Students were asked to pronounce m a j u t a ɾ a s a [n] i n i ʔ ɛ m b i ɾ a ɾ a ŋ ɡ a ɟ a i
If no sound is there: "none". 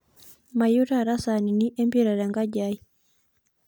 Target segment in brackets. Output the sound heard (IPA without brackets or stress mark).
n